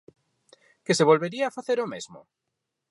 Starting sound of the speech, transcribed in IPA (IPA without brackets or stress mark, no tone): k